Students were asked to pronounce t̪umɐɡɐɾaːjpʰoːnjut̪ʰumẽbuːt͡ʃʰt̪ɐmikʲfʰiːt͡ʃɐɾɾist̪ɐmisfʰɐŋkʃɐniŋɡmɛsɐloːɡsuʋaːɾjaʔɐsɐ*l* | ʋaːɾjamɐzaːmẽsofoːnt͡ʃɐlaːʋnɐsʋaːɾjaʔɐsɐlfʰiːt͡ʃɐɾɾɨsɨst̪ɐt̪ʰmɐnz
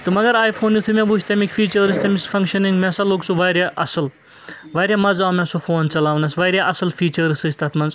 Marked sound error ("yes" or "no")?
no